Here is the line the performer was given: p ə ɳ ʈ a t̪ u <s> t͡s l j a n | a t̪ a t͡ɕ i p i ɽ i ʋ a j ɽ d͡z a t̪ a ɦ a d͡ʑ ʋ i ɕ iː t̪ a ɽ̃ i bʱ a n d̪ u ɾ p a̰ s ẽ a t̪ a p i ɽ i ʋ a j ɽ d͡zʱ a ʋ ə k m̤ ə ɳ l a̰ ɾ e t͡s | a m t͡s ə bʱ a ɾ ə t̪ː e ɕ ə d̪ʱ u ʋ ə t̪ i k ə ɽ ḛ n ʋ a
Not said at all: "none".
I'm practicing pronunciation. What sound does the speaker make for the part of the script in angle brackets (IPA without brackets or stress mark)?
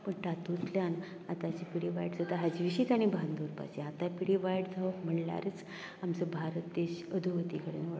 none